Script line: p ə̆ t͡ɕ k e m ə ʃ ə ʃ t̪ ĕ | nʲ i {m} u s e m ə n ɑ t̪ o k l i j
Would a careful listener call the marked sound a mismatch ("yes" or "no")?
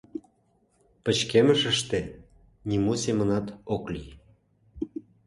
no